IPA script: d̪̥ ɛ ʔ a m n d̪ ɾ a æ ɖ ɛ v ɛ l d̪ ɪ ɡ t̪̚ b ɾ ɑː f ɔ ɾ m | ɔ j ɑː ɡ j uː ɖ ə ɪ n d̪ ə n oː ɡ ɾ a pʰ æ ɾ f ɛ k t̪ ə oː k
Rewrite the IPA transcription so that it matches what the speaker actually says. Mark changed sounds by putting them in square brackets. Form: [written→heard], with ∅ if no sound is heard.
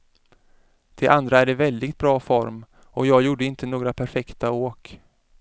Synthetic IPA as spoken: d̪̥ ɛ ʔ a [m→∅] n d̪ ɾ a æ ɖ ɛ v ɛ l d̪ ɪ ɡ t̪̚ b ɾ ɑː f ɔ ɾ m | ɔ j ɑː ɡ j uː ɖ ə ɪ n [d̪→t̪] ə n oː ɡ ɾ a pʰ æ ɾ f ɛ k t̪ [ə→a] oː k